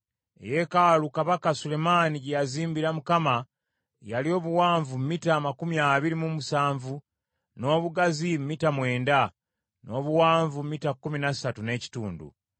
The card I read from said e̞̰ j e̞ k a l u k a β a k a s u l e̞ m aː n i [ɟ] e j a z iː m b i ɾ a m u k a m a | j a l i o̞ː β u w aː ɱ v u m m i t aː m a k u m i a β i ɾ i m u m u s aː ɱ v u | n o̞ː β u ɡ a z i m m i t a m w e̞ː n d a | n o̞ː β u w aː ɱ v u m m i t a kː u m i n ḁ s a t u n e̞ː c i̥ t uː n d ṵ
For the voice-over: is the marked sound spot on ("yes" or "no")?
yes